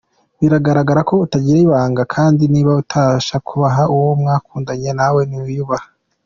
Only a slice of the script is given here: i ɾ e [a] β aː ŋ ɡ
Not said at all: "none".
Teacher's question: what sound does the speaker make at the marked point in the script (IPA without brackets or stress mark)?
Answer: i